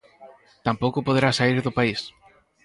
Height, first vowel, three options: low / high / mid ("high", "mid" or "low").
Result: low